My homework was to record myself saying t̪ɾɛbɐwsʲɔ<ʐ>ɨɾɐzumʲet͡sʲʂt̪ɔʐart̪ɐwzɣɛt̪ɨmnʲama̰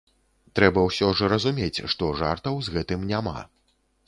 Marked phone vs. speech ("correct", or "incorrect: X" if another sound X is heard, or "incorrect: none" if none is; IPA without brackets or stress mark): correct